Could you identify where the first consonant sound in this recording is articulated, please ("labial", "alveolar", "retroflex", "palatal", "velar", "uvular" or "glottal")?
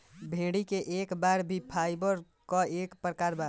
labial